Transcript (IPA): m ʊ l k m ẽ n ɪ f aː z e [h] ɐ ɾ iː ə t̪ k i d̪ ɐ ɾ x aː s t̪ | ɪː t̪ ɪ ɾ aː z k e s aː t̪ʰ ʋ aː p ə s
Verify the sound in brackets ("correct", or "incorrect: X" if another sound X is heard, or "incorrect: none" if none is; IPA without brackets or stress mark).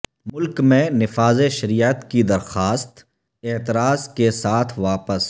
incorrect: ʃ